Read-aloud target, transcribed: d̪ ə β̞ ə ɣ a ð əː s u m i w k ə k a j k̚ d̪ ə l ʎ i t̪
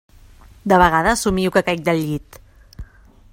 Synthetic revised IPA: d̪ ə β̞ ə ɣ a ð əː s u m i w k ə k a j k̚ d̪ ə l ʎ i t̪